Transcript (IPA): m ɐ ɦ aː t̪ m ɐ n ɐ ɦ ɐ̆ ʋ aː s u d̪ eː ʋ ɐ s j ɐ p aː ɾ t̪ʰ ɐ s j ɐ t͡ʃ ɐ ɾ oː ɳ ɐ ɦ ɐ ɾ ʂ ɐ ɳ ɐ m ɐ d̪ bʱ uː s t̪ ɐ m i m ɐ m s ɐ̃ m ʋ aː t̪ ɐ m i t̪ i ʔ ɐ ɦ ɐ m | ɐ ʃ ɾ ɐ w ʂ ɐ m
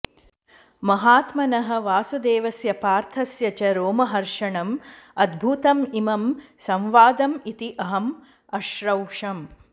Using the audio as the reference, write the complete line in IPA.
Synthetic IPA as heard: m ɐ ɦ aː t̪ m ɐ n ɐ ɦ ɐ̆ ʋ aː s u d̪ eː ʋ ɐ s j ɐ p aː ɾ t̪ʰ ɐ s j ɐ t͡ʃ ɐ ɾ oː m ɐ ɦ ɐ ɾ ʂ ɐ ɳ ɐ m ɐ d̪ bʱ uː t̪ ɐ m i m ɐ m s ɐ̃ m ʋ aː d̪ ɐ m i t̪ i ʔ ɐ ɦ ɐ m | ɐ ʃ ɾ ɐ w ʂ ɐ m